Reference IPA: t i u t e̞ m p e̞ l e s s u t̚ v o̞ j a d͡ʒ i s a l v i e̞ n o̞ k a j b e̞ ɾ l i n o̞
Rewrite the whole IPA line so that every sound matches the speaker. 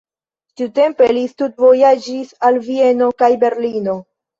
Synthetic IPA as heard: t i u t e̞ m p e̞ l i s t u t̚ v o̞ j a d͡ʒ i s a l v i e̞ n o̞ k a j b e̞ ɾ l i n o̞